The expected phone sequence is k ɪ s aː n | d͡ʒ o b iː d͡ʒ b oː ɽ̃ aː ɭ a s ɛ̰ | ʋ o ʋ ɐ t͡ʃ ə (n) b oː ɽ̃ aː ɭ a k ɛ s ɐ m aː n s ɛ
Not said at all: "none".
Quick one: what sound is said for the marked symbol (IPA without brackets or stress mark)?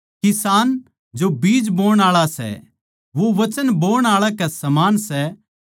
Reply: n